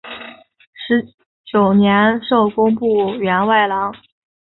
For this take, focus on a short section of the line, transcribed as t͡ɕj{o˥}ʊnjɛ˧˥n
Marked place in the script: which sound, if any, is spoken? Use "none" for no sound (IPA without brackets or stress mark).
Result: o˨˩